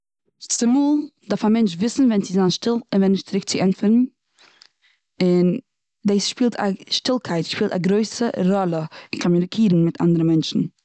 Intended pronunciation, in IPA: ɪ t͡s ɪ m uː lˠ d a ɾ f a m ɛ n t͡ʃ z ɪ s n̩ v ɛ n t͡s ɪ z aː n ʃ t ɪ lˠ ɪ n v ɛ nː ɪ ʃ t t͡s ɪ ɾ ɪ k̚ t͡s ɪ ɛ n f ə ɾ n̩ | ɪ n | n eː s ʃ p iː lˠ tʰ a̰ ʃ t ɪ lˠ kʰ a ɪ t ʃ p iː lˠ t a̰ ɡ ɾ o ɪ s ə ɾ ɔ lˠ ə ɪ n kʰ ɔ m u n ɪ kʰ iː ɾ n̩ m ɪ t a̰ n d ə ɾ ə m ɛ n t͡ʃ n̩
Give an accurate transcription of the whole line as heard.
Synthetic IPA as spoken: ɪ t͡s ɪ m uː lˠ d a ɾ f a m ɛ n t͡ʃ v ɪ s n̩ v ɛ n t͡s ɪ z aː n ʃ t ɪ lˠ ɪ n v ɛ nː ɪ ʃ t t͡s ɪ ɾ ɪ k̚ t͡s ɪ ɛ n f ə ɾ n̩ | ɪ n | d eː s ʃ p iː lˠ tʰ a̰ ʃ t ɪ lˠ kʰ a ɪ t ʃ p iː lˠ t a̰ ɡ ɾ o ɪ s ə ɾ ɔ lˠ ə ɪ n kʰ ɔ m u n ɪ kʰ iː ɾ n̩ m ɪ t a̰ n d ə ɾ ə m ɛ n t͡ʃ n̩